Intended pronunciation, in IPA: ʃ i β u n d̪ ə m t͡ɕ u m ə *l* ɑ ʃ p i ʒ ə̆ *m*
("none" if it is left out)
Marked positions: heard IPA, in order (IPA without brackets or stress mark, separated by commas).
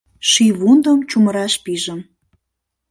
ɾ, m